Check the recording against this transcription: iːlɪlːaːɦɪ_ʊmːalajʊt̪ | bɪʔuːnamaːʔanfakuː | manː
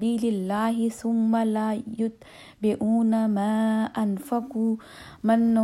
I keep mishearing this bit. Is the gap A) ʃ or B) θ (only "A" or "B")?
B